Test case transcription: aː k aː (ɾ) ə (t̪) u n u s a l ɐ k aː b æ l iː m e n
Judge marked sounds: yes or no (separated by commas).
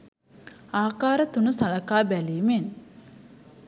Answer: yes, yes